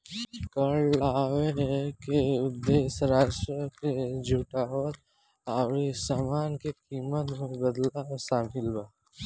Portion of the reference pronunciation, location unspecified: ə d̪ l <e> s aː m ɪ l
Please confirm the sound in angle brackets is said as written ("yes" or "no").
no